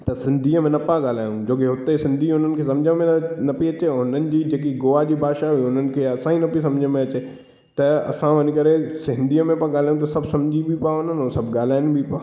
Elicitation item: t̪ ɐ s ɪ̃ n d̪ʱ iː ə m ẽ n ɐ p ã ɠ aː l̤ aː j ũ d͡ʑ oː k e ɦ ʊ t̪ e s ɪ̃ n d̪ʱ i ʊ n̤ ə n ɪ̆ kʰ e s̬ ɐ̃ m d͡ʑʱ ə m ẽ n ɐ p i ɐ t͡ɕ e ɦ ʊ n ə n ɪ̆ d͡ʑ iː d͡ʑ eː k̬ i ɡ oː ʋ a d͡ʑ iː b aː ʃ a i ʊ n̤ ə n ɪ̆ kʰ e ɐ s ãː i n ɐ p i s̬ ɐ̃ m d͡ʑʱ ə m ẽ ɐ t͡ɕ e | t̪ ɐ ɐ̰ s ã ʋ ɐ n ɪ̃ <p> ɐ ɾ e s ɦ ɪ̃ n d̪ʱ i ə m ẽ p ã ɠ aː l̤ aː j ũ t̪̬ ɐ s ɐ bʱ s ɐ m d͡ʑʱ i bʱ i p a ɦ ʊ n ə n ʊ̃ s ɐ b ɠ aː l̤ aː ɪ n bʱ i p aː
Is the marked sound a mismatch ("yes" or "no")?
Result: yes